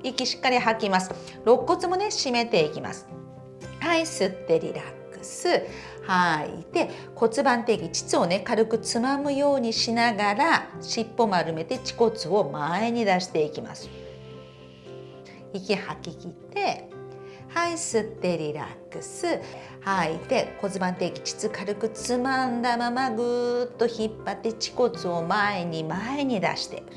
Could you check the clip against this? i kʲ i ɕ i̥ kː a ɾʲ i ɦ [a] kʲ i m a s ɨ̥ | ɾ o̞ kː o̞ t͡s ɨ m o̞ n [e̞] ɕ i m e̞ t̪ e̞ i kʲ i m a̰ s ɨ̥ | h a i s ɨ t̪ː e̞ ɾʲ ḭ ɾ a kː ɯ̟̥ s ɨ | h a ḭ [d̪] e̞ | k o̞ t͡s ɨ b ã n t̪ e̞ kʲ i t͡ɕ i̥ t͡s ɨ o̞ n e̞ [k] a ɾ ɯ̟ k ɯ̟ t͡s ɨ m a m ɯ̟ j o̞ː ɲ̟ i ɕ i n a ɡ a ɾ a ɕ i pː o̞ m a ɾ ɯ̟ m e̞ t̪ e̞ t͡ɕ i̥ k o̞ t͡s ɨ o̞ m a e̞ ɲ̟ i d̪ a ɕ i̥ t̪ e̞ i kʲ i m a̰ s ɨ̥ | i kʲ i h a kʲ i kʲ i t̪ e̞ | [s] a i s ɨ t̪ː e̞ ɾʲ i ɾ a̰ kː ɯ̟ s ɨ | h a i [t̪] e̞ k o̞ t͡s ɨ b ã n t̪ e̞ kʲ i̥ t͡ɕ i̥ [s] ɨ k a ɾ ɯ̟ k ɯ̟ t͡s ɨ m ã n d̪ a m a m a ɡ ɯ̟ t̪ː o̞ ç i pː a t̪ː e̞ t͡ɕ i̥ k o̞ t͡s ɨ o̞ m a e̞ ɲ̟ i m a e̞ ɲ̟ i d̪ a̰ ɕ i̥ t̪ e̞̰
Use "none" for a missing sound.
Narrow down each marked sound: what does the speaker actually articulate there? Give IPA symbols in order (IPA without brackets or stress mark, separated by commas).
a, e̞, t̪, k, h, t̪, t͡s